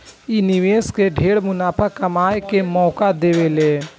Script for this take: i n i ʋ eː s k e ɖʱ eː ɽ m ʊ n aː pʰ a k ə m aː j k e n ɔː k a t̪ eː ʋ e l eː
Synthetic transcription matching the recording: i n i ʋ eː s k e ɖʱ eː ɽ m ʊ n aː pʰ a k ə m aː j k e m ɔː k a d̪ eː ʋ e l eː